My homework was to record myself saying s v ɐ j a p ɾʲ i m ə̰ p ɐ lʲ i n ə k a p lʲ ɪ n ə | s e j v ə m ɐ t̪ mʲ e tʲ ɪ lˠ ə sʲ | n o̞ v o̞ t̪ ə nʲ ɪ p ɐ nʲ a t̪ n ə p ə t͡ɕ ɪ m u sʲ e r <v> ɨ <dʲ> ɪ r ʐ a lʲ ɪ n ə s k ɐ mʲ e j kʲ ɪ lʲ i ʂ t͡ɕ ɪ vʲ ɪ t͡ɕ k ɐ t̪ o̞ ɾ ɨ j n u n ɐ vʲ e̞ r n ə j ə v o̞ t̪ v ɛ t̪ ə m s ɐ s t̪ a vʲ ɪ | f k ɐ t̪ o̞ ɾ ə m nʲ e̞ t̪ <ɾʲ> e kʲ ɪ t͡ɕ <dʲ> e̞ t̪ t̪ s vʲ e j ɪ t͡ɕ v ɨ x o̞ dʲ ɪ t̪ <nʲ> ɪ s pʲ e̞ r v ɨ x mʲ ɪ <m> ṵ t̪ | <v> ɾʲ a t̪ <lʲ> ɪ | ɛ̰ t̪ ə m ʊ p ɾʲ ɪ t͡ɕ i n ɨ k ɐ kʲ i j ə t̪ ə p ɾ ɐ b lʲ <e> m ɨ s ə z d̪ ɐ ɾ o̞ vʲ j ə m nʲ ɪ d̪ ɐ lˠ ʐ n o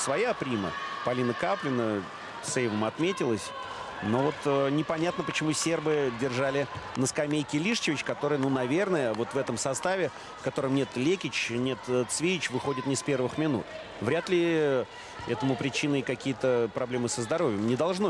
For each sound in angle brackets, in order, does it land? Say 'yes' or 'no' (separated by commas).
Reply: no, yes, no, no, yes, no, yes, yes, yes